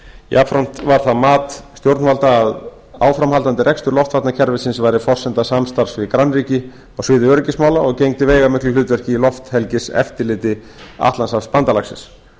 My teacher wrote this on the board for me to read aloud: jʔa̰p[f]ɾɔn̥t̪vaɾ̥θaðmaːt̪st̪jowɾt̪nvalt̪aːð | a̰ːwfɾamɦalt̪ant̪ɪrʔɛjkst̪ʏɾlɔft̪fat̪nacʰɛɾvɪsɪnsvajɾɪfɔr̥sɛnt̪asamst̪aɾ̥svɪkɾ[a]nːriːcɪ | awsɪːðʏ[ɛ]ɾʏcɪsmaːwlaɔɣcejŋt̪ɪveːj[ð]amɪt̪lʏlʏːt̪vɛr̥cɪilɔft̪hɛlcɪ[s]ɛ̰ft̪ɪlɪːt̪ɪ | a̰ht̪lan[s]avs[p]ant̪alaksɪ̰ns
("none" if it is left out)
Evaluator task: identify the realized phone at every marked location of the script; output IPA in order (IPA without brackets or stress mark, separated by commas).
f, a, œ, ɣ, s, s, p